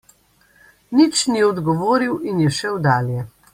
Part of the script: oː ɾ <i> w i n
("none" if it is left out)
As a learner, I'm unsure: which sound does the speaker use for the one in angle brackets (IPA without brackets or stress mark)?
i